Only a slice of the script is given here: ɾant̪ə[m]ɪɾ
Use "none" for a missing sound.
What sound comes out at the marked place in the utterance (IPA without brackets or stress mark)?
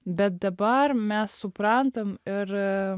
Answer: m